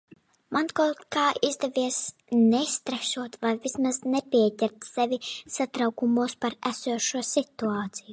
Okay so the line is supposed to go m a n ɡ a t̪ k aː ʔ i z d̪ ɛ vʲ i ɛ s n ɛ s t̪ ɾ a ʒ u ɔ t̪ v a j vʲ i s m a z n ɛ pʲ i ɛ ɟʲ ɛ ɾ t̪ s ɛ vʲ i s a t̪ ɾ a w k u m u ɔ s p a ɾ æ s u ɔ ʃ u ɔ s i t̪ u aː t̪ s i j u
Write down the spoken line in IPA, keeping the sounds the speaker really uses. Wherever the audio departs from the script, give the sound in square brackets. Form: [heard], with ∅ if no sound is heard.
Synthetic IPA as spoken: m a n [k] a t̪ k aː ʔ i z d̪ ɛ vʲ i ɛ s n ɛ s t̪ ɾ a [ʃ] u ɔ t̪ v a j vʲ i s m a z n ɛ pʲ i ɛ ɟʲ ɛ ɾ t̪ s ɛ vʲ i s a t̪ ɾ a w k u m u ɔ s p a ɾ æ s u ɔ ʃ u ɔ s i t̪ u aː t̪ s i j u